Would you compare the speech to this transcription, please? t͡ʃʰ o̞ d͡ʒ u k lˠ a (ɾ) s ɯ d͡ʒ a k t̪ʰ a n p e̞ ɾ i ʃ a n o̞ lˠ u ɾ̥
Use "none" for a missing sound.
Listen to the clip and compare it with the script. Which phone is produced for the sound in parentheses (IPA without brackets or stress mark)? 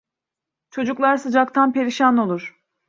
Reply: ɾ